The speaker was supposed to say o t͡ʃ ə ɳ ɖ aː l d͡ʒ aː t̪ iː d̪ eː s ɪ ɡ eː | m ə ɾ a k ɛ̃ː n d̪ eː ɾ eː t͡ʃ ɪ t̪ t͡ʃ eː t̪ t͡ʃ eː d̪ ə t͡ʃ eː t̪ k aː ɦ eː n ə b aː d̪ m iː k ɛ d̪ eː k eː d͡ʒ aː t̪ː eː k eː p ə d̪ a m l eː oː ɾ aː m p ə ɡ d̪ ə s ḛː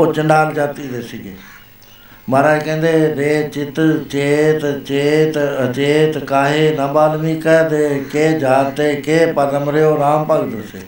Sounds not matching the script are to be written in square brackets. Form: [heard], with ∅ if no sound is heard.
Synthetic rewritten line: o t͡ʃ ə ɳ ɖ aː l d͡ʒ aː t̪ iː d̪ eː s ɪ ɡ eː | m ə ɾ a k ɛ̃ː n d̪ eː ɾ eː t͡ʃ ɪ t̪ t͡ʃ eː t̪ t͡ʃ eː [t̪] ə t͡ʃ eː t̪ k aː ɦ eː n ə b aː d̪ m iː k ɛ d̪ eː k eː d͡ʒ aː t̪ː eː k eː p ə d̪ [ə] m [ɾ] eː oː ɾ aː m p ə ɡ d̪ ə s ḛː